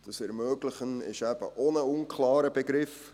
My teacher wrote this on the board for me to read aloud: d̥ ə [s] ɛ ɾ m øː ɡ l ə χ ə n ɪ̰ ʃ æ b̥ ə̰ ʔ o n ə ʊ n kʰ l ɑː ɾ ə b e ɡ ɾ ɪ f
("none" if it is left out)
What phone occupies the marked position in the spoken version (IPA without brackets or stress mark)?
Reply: s